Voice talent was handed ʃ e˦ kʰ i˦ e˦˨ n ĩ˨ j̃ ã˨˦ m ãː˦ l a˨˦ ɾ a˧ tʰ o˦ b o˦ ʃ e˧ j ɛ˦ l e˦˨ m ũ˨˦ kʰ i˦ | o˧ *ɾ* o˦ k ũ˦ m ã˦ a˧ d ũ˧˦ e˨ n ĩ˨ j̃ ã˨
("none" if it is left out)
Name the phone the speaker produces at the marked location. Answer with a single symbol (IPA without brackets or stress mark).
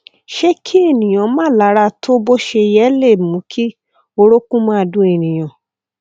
ɾ